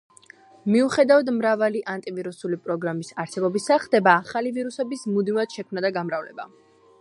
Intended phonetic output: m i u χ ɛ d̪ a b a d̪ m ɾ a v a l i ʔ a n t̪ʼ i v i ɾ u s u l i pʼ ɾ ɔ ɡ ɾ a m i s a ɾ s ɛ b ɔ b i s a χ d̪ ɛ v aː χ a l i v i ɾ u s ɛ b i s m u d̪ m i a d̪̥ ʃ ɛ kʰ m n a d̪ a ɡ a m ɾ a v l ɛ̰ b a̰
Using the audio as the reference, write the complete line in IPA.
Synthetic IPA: m i u χ ɛ d̪ a v a d̪ m ɾ a v a l i ʔ a n t̪ʼ i v i ɾ u s u l i pʼ ɾ ɔ ɡ ɾ a m i s a ɾ s ɛ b ɔ b i s a χ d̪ ɛ b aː χ a l i v i ɾ u s ɛ b i s m u d̪ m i a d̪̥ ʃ ɛ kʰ m n a d̪ a ɡ a m ɾ a v l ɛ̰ b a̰